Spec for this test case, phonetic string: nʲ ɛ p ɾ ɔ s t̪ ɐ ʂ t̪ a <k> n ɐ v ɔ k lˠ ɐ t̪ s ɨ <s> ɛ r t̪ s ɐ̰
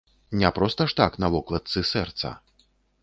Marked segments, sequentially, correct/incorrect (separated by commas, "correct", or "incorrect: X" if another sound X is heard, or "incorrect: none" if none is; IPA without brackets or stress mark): correct, correct